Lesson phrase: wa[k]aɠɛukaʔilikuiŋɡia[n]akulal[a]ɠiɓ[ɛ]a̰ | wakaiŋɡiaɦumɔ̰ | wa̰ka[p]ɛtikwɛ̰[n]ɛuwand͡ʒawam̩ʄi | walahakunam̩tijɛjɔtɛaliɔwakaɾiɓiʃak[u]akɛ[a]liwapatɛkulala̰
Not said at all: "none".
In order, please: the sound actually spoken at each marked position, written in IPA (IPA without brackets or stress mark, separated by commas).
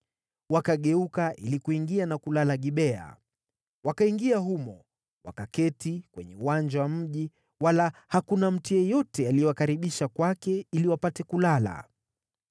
k, n, a, ɛ, k, ɲ, w, i